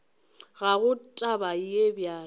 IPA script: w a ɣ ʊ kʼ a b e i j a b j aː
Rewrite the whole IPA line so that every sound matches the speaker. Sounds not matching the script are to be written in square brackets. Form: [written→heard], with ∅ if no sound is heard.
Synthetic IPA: [w→ɣ] a ɣ ʊ [kʼ→tʼ] a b [e→a] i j [a→e] b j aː

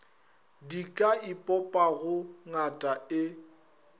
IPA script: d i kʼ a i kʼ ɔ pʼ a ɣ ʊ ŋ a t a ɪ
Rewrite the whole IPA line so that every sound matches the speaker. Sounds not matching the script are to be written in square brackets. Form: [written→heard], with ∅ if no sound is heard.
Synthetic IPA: d i kʼ a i [kʼ→pʼ] ɔ pʼ a ɣ ʊ ŋ a [t→tʼ] a ɪ

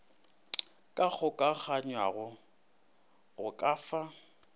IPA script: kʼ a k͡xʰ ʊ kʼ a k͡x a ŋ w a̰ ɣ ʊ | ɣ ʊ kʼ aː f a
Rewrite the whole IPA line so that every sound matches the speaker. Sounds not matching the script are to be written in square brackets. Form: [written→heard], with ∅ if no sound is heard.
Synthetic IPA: kʼ a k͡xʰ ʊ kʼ a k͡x a [ŋ→ɲ] w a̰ ɣ ʊ | ɣ ʊ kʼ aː f a

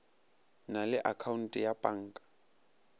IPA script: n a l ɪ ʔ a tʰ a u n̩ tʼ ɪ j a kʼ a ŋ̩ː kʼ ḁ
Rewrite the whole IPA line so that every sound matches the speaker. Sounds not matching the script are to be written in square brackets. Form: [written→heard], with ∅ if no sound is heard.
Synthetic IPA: n a l ɪ ʔ a [tʰ→kʰ] a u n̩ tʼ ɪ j a [kʼ→pʼ] a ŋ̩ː kʼ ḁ

